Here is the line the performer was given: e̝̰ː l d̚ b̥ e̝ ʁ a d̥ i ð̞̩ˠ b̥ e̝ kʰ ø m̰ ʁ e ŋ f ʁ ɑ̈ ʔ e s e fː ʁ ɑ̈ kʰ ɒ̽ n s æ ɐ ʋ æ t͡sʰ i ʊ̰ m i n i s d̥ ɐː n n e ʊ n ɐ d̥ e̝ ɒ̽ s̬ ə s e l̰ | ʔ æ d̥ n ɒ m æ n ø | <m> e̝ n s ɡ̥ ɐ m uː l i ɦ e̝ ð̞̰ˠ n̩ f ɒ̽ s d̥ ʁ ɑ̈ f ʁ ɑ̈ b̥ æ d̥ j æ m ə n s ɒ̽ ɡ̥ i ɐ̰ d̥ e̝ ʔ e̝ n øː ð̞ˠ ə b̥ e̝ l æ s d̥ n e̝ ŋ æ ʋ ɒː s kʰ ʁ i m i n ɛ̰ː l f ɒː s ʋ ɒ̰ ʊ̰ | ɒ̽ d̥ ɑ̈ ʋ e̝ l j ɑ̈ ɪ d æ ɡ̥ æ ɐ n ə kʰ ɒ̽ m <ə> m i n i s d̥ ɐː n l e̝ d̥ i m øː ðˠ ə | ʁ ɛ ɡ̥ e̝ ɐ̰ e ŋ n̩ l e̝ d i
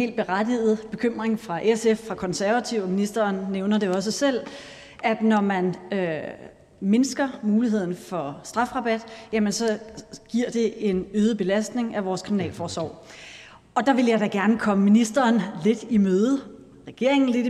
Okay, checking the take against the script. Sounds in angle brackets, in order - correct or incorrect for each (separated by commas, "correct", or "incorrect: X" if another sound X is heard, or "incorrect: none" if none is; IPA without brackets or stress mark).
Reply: correct, correct